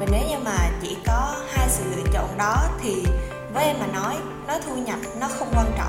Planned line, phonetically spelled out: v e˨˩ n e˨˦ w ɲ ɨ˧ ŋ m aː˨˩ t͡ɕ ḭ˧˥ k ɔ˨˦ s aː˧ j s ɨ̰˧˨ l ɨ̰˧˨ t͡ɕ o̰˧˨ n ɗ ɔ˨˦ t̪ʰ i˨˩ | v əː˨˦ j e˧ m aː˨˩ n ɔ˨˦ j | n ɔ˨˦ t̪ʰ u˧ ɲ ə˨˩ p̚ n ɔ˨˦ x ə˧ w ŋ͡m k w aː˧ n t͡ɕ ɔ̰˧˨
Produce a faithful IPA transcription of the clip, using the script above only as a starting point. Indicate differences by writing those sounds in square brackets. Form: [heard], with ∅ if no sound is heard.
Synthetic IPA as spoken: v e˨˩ n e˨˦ w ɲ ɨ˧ ŋ m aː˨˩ t͡ɕ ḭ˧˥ k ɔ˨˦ [h] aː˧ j s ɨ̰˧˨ l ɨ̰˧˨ t͡ɕ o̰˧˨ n ɗ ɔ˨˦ t̪ʰ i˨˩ | v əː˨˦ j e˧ m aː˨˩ n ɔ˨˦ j | n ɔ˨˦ t̪ʰ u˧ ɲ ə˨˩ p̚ n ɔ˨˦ x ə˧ w ŋ͡m k w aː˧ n t͡ɕ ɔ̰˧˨